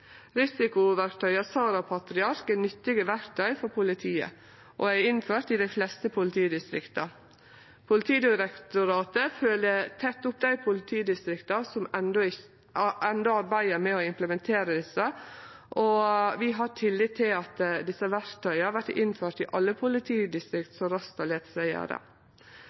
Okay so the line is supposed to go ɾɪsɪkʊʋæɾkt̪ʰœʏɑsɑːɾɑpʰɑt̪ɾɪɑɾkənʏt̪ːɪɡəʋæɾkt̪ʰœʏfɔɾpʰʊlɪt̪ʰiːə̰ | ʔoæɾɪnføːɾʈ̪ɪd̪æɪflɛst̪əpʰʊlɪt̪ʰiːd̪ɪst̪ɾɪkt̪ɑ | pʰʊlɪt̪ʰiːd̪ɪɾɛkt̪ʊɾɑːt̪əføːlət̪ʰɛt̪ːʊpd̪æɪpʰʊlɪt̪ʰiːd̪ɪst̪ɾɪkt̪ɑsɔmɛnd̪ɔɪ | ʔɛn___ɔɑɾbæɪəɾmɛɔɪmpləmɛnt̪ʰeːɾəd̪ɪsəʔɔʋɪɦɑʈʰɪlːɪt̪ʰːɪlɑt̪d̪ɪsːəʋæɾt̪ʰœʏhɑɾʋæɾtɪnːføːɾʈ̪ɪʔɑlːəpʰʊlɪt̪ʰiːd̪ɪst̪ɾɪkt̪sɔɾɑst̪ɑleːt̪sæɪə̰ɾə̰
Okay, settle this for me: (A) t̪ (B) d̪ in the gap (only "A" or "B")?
B